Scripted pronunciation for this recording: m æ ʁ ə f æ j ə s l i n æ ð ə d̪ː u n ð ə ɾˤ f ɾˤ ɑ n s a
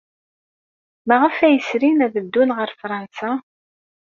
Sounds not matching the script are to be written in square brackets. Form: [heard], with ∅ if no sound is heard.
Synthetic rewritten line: m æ ʁ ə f æ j ə s [ɾ] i n æ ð ə d̪ː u n [ʁ] ə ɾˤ f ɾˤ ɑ n s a